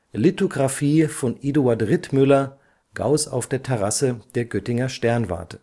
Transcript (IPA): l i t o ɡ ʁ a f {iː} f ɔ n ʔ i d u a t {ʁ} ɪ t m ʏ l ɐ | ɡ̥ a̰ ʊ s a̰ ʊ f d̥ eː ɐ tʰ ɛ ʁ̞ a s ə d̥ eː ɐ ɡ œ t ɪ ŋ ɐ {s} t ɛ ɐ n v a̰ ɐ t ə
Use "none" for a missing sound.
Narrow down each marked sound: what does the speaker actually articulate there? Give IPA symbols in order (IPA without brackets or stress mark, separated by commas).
iː, ʁ, ʃ